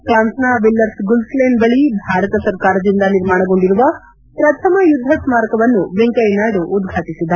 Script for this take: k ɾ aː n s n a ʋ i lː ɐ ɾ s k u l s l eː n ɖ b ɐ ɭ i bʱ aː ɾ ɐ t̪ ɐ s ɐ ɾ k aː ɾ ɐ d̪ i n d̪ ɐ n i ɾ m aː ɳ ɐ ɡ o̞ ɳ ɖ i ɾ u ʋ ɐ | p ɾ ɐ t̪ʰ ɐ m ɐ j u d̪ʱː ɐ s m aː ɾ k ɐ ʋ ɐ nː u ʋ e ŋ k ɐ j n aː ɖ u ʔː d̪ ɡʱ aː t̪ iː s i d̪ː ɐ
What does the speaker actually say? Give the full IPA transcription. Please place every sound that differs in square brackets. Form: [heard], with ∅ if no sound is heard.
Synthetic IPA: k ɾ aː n s n a ʋ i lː ɐ ɾ s [ɡ] u l s l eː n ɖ b ɐ ɭ i bʱ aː ɾ ɐ t̪ ɐ s ɐ ɾ k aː ɾ ɐ d̪ i n d̪ ɐ n i ɾ m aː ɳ ɐ ɡ o̞ ɳ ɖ i ɾ u ʋ ɐ | p ɾ ɐ t̪ʰ ɐ m ɐ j u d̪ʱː ɐ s m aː ɾ k ɐ ʋ ɐ nː u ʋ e ŋ k ɐ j n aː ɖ u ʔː d̪ ɡʱ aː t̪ [i] s i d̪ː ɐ